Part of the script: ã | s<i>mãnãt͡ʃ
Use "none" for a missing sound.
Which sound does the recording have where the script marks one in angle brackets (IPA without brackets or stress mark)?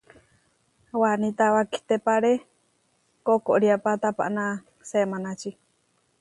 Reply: e